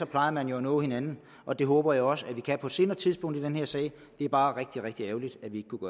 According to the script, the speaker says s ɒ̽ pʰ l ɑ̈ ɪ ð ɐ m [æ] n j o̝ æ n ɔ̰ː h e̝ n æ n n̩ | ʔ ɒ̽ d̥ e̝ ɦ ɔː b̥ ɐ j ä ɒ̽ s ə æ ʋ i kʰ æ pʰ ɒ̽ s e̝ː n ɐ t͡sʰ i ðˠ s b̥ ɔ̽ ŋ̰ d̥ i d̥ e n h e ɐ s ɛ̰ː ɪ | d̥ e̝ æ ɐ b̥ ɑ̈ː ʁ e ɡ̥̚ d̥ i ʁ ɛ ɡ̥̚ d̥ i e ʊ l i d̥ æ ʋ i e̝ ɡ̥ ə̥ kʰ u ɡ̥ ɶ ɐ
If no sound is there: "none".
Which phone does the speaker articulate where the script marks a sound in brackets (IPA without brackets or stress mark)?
æ